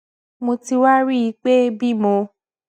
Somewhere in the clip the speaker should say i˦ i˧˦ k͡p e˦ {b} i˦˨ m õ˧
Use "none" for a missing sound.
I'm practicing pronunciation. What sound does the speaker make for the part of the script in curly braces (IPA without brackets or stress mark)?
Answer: b